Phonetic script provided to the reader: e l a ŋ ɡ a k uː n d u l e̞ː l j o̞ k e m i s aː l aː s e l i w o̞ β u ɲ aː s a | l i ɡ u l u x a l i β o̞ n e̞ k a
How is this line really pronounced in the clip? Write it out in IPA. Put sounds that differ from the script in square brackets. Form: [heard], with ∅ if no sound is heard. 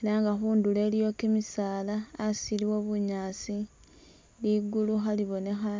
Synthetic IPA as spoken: e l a ŋ ɡ a [x] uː n d u l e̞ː l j o̞ k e m i s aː l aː s [i] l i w o̞ β u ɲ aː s [i] | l i ɡ u l u x a l i β o̞ n e̞ [x] a

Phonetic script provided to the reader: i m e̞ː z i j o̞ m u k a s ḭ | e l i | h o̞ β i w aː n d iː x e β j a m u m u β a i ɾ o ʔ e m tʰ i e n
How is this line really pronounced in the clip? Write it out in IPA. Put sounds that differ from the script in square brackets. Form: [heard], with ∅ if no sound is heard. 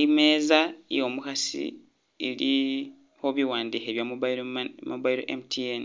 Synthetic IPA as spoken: i m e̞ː z [a] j o̞ m u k a s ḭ | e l i | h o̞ β i w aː n d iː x e β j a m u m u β a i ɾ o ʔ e m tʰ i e n

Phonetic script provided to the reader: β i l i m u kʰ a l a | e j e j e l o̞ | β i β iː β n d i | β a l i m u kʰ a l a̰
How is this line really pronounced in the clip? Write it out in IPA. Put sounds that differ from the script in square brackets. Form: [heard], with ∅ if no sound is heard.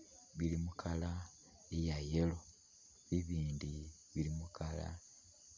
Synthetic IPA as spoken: β i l i m u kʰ a l a | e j [a] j e l o̞ | β i β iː [∅] n d i | β [i] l i m u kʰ a l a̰

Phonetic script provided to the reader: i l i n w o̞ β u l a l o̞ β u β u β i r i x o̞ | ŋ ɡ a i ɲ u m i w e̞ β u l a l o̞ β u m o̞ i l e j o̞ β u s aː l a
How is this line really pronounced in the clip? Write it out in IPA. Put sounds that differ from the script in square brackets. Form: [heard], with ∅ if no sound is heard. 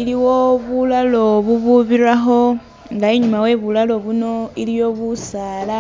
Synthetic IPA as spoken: i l i [∅] w o̞ β u l a l o̞ β u β u β i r [a] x o̞ | ŋ ɡ a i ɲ u m [a] w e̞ β u l a l o̞ β u [n] o̞ i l [i] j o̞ β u s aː l a

